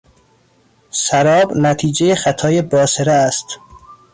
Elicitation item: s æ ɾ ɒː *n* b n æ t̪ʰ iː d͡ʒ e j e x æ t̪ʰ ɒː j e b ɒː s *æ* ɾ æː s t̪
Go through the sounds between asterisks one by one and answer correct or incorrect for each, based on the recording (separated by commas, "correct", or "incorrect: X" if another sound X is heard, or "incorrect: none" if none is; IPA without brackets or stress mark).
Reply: incorrect: none, incorrect: e